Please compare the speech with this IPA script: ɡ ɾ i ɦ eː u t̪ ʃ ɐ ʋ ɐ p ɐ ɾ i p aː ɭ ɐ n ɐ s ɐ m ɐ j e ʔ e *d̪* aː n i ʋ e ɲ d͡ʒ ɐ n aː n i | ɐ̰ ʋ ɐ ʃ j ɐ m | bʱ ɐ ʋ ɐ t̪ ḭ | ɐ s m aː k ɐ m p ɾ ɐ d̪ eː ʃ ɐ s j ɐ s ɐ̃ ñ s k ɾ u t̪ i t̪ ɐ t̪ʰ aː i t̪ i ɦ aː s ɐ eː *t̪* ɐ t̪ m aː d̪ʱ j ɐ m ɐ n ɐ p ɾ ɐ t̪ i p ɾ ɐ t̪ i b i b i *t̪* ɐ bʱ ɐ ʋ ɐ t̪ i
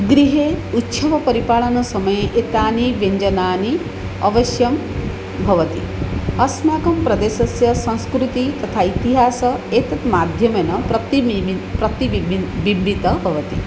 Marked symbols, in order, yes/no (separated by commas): no, yes, yes